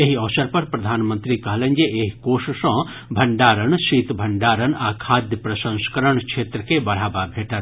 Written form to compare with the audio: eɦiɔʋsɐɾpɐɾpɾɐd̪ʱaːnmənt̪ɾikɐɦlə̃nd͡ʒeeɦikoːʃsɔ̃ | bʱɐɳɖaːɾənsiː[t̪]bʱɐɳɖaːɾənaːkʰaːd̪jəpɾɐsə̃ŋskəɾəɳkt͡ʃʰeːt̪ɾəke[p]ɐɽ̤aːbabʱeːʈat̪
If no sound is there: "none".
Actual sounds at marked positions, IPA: t̪, b

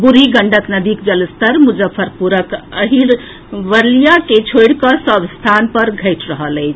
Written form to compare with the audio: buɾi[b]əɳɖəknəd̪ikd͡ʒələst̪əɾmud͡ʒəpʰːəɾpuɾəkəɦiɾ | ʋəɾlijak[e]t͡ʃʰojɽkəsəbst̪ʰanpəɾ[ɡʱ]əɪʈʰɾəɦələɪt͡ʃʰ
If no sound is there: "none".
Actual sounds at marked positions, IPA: ɡ, e, ɡʱ

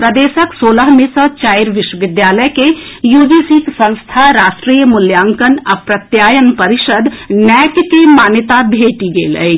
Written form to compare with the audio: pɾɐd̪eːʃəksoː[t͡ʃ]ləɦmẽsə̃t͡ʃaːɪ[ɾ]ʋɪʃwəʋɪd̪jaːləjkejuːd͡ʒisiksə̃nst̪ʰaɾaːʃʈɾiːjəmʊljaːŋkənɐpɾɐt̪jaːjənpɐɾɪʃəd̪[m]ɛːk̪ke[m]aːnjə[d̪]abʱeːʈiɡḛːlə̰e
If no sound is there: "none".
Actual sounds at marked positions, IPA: none, ɾ, n, m, t̪

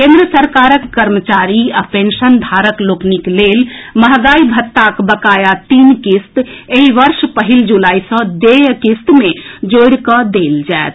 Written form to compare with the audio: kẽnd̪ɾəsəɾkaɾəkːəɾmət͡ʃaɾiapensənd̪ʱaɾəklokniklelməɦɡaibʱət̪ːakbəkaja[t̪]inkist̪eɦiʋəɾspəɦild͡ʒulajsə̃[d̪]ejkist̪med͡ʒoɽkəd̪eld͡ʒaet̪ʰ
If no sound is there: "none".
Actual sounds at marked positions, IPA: t̪, d̪

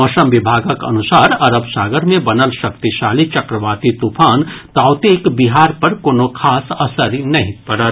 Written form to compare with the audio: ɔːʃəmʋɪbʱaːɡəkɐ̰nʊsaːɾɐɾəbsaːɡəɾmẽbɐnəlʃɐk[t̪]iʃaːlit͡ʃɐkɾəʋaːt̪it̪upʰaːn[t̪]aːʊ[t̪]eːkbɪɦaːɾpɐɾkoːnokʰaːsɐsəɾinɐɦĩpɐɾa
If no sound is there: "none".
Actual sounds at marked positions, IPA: t̪, t̪, t̪

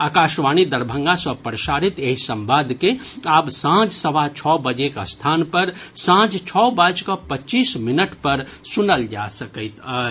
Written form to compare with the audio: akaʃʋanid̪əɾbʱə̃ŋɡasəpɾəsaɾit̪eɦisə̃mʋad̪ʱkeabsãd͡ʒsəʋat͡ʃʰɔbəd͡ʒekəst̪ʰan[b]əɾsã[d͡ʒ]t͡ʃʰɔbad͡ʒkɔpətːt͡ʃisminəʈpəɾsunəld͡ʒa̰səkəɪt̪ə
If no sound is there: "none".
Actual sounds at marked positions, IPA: p, d͡ʒ

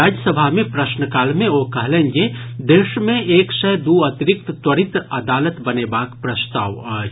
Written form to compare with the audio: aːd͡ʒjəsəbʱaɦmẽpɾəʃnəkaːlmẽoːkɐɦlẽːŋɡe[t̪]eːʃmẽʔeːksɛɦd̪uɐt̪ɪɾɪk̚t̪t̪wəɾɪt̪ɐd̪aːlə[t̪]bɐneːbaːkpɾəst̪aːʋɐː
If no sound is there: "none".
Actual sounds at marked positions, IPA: d̪, t̪

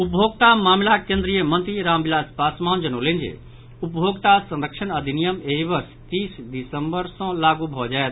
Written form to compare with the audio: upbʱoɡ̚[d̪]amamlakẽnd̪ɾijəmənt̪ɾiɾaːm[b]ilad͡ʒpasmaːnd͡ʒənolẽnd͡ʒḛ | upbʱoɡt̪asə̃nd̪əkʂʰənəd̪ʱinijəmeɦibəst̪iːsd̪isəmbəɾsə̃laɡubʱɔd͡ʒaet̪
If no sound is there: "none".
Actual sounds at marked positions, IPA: t̪, b

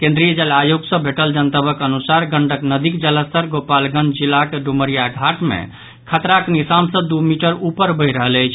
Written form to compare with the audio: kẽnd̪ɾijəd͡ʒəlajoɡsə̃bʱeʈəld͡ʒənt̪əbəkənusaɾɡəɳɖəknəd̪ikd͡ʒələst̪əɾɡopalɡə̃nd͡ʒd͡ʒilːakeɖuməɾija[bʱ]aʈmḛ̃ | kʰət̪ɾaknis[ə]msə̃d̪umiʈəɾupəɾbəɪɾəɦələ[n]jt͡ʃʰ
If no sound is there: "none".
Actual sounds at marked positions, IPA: ɡʱ, a, none

